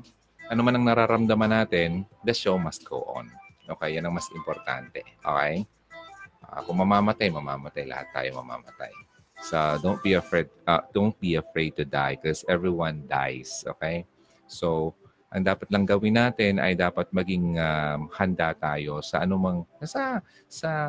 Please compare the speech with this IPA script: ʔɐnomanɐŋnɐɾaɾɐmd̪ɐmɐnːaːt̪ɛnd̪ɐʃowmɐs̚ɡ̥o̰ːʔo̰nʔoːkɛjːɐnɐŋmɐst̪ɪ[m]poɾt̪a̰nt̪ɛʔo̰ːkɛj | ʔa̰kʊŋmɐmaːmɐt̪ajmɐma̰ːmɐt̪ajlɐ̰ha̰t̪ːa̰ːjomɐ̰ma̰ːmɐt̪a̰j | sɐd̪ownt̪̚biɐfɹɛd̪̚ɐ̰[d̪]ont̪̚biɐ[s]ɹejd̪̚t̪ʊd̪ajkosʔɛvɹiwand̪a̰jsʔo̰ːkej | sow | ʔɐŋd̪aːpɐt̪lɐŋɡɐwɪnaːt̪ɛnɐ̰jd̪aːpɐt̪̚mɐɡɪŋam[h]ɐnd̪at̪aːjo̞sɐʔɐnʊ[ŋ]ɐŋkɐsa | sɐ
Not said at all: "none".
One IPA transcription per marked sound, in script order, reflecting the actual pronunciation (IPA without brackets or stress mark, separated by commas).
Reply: m, d̪, f, h, m